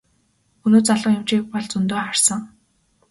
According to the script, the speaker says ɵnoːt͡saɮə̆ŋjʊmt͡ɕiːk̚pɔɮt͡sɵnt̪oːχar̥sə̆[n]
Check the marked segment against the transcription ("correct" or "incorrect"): incorrect